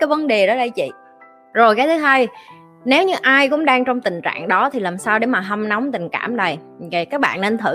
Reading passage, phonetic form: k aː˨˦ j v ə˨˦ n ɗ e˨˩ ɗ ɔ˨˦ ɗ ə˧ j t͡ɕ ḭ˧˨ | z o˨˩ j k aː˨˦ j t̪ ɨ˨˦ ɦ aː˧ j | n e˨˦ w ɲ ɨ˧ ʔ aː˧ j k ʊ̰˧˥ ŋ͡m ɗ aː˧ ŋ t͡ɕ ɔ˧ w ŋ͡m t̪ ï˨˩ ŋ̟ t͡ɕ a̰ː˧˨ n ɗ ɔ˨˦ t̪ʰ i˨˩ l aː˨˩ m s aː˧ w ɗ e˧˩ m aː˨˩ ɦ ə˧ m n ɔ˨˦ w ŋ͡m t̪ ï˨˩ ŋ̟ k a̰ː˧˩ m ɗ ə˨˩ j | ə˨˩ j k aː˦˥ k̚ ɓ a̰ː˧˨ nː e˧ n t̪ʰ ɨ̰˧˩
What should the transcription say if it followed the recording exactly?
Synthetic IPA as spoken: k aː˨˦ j v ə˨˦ n ɗ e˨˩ ɗ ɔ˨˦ ɗ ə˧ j t͡ɕ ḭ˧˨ | z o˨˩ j k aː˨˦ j t̪ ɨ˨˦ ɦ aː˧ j | n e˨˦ w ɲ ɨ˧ ʔ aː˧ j k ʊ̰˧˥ ŋ͡m ɗ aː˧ ŋ t͡ɕ ɔ˧ w ŋ͡m t̪ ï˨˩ ŋ̟ t͡ɕ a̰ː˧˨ ŋ ɗ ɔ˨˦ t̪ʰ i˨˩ l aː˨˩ m s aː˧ w ɗ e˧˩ m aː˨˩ ɦ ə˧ m n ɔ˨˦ w ŋ͡m t̪ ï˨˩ ŋ̟ k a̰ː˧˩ m ɗ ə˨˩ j | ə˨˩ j k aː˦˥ k̚ ɓ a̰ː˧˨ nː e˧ n t̪ʰ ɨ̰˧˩